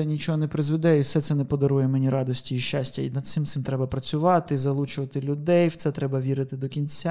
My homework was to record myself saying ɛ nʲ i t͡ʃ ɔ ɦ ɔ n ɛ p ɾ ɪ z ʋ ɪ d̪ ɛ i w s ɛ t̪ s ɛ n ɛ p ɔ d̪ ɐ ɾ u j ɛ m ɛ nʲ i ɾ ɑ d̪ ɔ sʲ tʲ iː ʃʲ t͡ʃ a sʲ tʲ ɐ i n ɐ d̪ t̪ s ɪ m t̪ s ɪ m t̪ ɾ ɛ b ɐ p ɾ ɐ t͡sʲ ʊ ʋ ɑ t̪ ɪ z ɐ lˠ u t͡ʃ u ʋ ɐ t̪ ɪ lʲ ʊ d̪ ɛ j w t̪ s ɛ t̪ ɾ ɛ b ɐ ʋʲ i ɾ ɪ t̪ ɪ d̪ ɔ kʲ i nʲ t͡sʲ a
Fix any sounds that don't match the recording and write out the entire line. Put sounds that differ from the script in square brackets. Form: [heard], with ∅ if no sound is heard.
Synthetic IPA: ɛ nʲ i t͡ʃ ɔ ɦ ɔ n ɛ p ɾ ɪ z ʋ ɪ d̪ ɛ i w s ɛ t̪ s ɛ n ɛ p ɔ d̪ ɐ ɾ u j ɛ m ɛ nʲ i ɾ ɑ d̪ ɔ sʲ tʲ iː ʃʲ t͡ʃ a sʲ tʲ ɐ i n ɐ d̪ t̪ s ɪ m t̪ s ɪ m t̪ ɾ ɛ b ɐ p ɾ ɐ t͡sʲ ʊ ʋ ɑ t̪ ɪ z ɐ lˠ u t͡ʃ [ʊ] ʋ ɐ t̪ ɪ lʲ ʊ d̪ ɛ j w t̪ s ɛ t̪ ɾ ɛ b ɐ ʋʲ i ɾ ɪ t̪ ɪ d̪ ɔ kʲ i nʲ t͡sʲ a